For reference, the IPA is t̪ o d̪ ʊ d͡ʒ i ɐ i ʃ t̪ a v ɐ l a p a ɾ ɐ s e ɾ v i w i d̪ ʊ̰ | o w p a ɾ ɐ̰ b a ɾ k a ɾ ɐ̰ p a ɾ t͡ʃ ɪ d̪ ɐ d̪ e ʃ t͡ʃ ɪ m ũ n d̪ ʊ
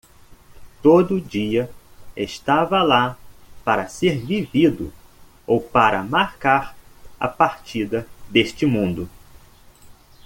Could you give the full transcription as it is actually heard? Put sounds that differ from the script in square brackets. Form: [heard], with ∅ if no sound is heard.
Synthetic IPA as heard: t̪ o d̪ ʊ d͡ʒ i ɐ [e] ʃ t̪ a v ɐ l a p a ɾ ɐ s e ɾ v i [v] i d̪ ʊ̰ | o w p a ɾ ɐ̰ [m] a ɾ k a ɾ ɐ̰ p a ɾ t͡ʃ [i] d̪ ɐ d̪ e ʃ t͡ʃ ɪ m ũ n d̪ ʊ